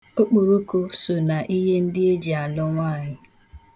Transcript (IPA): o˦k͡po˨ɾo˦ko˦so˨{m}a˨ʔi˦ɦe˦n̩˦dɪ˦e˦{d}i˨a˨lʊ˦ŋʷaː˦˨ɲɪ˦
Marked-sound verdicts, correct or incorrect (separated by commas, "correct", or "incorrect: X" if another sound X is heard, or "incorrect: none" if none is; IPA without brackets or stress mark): incorrect: n, incorrect: d͡ʒ